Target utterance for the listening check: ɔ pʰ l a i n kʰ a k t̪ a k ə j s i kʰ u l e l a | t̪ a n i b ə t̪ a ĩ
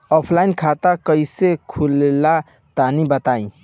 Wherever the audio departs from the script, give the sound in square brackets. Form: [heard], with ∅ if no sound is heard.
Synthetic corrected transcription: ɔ pʰ l a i n kʰ a [∅] t̪ a k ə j s [e] kʰ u l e l a | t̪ a n i b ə t̪ a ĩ